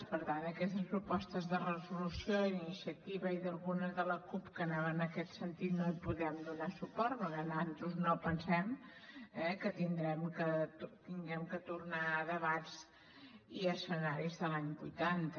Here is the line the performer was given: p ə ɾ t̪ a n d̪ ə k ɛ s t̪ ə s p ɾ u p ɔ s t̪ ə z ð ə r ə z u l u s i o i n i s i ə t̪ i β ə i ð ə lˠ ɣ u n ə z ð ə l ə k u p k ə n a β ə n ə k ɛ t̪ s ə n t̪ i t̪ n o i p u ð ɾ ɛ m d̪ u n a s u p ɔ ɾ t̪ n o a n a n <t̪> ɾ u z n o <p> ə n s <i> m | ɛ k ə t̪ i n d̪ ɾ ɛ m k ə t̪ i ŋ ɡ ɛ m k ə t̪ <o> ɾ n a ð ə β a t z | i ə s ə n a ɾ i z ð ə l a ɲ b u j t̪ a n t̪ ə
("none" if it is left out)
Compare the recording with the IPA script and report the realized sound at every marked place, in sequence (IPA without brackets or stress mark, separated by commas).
t̪, p, ɛ, u